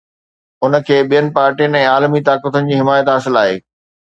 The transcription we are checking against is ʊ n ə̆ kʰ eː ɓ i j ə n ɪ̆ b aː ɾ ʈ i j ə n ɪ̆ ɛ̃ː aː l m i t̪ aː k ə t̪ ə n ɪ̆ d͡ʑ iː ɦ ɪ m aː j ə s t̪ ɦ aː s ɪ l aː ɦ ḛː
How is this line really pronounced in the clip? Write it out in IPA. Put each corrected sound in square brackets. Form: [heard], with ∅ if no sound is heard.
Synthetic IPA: ʊ n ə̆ kʰ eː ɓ i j ə n ɪ̆ [p] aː ɾ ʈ i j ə n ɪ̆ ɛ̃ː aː l m i t̪ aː k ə t̪ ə n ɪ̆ d͡ʑ iː ɦ ɪ m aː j ə [∅] t̪ ɦ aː s ɪ l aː ɦ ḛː